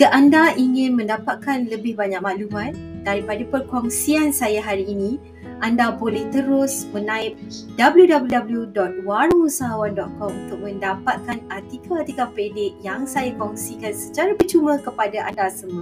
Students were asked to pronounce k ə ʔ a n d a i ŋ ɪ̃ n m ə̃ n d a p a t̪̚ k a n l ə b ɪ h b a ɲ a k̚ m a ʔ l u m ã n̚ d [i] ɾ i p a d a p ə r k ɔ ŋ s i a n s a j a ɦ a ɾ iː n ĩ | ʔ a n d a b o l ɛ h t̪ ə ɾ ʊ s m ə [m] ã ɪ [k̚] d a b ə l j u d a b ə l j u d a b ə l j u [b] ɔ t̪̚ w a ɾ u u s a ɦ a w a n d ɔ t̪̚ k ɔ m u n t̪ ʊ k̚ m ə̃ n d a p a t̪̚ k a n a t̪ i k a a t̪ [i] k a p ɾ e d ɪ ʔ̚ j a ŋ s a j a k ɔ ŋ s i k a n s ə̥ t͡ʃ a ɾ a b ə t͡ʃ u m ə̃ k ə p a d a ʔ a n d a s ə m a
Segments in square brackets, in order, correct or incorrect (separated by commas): incorrect, incorrect, incorrect, incorrect, correct